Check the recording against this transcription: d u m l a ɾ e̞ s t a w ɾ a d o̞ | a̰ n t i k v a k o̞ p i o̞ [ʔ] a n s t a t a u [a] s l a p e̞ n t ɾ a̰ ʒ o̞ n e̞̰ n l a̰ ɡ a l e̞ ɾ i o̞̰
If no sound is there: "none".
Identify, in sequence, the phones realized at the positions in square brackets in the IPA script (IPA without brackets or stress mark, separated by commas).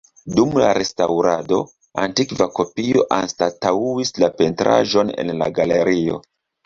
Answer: ʔ, i